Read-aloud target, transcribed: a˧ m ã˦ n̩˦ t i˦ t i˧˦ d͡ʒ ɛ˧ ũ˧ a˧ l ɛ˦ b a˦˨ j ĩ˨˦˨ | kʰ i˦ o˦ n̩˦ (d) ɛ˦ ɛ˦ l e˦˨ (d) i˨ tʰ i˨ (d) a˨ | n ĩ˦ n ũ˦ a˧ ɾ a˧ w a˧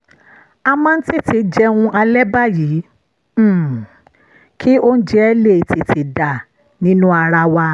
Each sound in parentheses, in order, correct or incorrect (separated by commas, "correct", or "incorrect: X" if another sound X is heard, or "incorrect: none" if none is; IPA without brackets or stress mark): incorrect: d͡ʒ, incorrect: t, correct